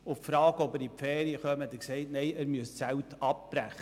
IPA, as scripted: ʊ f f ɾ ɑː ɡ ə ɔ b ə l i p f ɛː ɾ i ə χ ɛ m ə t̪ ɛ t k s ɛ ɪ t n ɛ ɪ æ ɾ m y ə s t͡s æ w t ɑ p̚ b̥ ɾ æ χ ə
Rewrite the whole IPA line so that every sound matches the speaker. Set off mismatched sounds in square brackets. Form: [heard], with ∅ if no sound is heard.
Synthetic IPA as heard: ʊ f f ɾ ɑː ɡ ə ɔ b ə [ɾ] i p f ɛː ɾ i ə χ [œ] m ə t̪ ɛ [∅] k s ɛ ɪ t n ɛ ɪ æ ɾ m y ə s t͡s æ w t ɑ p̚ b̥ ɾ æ χ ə